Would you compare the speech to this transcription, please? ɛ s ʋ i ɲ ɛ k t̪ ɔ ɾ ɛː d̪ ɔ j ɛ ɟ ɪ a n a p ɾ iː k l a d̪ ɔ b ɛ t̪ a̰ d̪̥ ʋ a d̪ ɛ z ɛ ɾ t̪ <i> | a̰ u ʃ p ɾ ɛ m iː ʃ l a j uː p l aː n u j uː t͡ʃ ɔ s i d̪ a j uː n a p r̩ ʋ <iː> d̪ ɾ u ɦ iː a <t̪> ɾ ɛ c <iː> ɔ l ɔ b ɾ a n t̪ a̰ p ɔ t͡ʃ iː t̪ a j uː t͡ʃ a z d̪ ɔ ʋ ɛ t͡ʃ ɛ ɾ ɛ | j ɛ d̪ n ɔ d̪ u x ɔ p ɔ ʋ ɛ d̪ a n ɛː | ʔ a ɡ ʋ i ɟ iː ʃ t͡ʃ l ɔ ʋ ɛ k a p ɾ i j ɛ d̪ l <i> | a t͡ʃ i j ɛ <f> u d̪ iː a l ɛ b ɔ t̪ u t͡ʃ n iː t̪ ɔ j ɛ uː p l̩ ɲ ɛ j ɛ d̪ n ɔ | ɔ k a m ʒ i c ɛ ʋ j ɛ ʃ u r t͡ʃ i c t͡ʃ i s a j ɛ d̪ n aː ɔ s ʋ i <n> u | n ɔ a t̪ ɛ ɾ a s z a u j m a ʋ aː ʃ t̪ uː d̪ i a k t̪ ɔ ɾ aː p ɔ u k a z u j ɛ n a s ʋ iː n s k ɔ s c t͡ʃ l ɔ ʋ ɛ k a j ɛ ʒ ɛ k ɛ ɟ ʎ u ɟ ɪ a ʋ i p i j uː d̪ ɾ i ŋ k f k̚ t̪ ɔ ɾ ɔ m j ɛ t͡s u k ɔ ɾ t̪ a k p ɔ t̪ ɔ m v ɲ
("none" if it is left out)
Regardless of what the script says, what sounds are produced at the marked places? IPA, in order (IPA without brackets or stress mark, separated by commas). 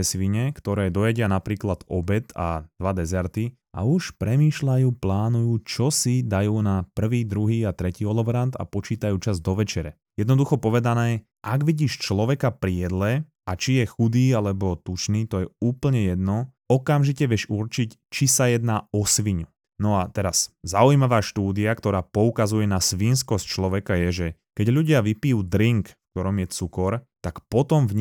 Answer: i, iː, t̪, iː, ɛ, x, ɲ